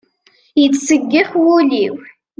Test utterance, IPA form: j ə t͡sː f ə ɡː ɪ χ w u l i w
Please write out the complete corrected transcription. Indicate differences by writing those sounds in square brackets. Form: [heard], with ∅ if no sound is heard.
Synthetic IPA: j ə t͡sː [s] ə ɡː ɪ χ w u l i w